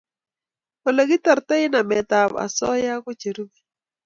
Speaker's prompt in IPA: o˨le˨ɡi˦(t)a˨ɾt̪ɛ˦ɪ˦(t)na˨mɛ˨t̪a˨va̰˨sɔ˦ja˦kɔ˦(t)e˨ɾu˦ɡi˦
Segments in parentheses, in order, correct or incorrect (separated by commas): correct, incorrect, incorrect